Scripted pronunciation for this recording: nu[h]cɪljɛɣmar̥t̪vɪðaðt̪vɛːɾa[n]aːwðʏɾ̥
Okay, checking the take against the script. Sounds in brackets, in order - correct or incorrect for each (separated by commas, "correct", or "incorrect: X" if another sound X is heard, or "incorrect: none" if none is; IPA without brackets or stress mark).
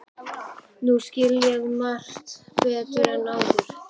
incorrect: s, correct